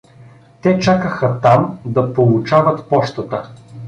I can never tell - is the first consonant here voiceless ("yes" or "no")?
yes